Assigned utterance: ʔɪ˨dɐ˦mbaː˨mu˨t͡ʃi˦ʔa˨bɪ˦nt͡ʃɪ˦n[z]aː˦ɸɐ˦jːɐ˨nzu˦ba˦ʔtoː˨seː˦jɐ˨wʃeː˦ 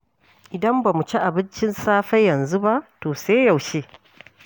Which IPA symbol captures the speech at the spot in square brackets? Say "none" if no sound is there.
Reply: s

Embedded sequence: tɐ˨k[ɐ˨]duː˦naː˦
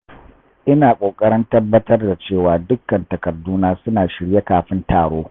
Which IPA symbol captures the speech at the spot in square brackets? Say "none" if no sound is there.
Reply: ɐ˨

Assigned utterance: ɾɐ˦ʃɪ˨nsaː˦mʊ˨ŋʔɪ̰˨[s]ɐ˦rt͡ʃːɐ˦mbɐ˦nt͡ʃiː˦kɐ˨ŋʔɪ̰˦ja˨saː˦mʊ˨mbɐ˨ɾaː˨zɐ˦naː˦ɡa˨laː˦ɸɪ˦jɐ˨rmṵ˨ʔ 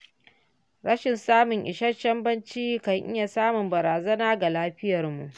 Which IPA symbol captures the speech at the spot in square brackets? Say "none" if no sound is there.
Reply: ʃ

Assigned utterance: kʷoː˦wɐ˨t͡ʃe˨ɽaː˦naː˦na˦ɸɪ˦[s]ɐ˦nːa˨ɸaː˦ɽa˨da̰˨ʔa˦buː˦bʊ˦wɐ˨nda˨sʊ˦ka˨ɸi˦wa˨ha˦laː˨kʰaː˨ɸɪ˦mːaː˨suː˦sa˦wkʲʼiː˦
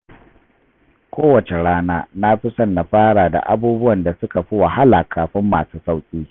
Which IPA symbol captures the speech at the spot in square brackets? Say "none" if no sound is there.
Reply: s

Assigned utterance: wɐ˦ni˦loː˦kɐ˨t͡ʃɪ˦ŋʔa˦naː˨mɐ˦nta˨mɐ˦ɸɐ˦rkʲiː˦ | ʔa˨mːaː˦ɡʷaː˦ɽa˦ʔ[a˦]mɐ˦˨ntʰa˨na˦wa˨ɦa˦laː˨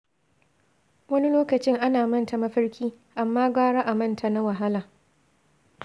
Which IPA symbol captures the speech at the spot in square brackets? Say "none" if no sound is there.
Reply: a˨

